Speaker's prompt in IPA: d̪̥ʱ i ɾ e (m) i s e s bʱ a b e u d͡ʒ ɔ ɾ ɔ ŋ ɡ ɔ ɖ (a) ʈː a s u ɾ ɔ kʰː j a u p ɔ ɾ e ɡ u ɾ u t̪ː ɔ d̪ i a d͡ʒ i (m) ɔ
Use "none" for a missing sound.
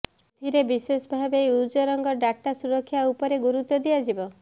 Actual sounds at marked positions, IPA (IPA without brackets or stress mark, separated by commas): b, a, b